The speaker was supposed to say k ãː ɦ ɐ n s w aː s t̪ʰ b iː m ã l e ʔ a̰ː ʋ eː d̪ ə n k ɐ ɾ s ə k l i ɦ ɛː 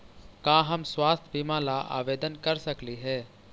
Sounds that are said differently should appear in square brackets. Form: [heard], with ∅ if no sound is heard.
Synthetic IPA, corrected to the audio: k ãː ɦ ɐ [m] s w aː s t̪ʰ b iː m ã l [a] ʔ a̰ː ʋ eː d̪ ə n k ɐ ɾ s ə k l i ɦ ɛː